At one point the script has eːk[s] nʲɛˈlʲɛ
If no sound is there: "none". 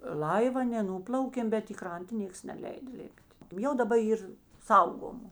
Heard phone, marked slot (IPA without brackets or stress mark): s